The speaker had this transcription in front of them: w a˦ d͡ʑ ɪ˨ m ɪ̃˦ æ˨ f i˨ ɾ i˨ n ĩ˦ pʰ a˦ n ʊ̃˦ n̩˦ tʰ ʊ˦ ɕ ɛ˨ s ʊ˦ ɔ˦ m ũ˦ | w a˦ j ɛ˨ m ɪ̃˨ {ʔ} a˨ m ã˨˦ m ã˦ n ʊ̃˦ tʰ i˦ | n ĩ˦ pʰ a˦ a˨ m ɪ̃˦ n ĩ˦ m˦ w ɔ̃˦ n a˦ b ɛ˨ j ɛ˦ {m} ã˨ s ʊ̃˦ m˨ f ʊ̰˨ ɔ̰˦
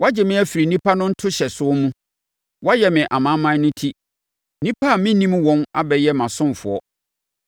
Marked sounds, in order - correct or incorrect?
correct, correct

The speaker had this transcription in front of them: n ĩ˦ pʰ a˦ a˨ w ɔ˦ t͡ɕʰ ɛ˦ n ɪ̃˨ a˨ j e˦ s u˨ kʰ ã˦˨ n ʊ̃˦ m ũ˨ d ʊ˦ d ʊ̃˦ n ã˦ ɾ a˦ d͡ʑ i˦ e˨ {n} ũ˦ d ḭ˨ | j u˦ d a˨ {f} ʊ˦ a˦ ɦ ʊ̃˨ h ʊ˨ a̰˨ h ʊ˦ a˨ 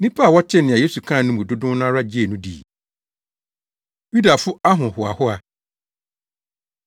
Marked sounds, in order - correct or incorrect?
correct, correct

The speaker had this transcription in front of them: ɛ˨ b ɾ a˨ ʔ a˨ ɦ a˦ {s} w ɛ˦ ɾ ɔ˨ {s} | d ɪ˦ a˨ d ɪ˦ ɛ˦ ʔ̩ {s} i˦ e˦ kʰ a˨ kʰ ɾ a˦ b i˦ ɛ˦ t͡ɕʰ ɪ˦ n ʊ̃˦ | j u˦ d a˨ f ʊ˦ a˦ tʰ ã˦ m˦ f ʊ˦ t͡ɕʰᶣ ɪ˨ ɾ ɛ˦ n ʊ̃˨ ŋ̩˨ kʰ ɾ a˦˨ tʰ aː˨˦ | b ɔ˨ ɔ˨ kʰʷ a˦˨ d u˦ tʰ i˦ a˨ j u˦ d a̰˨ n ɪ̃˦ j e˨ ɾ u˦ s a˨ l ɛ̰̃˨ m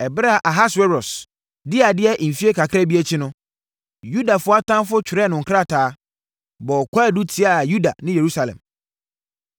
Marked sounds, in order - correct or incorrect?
correct, correct, incorrect

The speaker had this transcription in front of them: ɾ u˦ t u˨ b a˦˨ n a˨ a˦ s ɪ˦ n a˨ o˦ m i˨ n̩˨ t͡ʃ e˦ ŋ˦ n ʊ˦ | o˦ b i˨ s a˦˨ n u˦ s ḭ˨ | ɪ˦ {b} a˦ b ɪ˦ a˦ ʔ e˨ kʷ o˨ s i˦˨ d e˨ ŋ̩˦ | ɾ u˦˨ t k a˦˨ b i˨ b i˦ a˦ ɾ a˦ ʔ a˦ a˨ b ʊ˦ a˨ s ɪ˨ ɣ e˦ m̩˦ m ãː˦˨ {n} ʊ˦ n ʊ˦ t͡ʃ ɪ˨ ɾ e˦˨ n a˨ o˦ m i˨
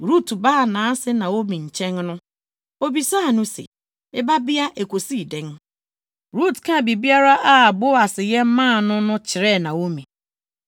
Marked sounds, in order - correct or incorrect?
correct, correct

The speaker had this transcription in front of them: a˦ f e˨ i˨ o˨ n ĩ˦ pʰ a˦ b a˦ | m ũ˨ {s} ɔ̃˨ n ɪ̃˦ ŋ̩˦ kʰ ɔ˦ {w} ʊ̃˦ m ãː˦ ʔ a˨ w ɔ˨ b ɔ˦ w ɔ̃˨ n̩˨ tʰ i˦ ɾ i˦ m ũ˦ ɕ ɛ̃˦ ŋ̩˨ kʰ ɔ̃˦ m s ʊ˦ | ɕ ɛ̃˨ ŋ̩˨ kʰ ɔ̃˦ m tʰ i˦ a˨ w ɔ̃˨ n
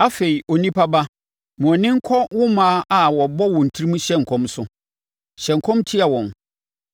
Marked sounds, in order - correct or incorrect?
incorrect, correct

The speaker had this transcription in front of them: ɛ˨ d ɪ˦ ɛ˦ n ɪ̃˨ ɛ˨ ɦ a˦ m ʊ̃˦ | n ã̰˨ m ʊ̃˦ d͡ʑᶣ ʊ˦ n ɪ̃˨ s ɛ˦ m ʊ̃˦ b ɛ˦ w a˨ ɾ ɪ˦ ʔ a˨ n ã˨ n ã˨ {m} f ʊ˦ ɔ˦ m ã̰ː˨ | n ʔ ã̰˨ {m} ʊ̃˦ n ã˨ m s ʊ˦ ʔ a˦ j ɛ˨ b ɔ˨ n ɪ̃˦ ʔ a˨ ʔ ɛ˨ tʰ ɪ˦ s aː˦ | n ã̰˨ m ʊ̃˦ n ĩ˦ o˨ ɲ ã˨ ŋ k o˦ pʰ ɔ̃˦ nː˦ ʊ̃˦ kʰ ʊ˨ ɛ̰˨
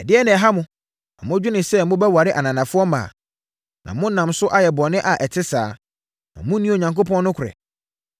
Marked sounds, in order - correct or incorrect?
incorrect, correct

